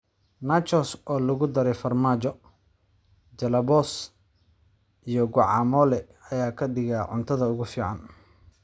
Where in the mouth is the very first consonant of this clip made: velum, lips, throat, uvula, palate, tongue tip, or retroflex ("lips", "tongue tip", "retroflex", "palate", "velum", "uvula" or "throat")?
tongue tip